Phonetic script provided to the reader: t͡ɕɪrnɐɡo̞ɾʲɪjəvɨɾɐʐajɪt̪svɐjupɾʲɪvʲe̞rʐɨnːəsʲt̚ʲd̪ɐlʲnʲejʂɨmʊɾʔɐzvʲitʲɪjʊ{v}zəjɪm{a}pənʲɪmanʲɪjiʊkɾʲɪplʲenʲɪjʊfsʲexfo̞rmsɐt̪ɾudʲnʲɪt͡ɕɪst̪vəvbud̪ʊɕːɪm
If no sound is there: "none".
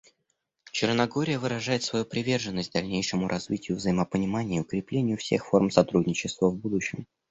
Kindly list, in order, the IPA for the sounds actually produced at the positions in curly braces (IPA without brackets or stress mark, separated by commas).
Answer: v, ə